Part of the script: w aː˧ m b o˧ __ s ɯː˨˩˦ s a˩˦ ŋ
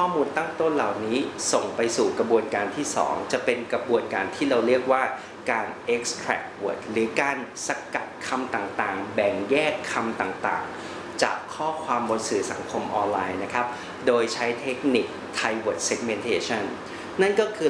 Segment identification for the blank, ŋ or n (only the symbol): n